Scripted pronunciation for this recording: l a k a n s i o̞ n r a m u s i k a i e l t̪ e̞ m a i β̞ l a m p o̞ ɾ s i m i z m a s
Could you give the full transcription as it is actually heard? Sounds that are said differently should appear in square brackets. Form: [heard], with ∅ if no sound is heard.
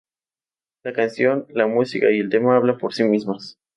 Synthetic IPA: l a k a n s [j] o̞ n [l] a m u s i k a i e l t̪ e̞ m a [a] β̞ l a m p o̞ ɾ s i m i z m a s